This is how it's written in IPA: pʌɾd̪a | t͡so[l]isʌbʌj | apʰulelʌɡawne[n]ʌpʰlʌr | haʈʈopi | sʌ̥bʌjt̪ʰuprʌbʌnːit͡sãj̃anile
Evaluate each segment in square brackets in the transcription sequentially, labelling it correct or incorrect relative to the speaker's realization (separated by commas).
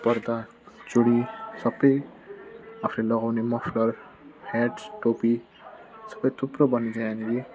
incorrect, incorrect